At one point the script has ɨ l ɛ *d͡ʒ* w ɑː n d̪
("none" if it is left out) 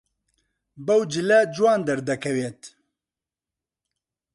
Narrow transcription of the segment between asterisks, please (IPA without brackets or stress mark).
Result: d͡ʒ